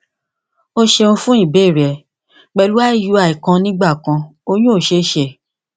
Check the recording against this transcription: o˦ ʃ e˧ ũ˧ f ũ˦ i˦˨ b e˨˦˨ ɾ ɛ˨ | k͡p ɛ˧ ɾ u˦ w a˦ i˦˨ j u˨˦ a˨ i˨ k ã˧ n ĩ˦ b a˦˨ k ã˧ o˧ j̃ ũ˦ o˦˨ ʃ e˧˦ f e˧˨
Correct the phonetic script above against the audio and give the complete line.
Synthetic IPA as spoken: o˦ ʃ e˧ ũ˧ f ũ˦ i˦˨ b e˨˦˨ ɾ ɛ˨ | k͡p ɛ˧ l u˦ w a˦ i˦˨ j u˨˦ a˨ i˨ k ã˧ n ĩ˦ ɡ͡b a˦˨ k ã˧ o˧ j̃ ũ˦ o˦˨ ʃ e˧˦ ʃ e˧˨